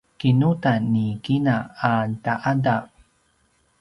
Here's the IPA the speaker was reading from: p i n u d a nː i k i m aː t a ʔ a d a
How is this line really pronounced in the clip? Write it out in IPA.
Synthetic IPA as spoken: k i n u t a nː i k i n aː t a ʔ a d a